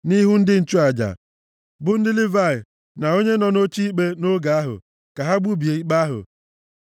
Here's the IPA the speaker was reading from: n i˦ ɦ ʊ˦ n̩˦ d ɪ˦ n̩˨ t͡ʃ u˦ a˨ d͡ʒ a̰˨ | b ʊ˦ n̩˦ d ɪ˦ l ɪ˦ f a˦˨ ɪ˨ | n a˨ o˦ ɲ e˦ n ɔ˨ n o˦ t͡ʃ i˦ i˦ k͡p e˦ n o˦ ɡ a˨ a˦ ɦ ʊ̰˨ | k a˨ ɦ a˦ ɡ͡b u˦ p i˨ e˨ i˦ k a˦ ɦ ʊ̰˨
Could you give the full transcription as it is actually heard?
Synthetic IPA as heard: n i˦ ɦ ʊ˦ n̩˦ d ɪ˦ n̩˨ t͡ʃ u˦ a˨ d͡ʒ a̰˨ | b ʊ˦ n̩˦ d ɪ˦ l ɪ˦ v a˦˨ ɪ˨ | n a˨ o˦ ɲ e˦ n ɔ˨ n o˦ t͡ʃ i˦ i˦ k͡p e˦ n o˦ ɡ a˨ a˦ ɦ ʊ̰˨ | k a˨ ɦ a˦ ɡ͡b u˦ b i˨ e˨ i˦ k͡p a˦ ɦ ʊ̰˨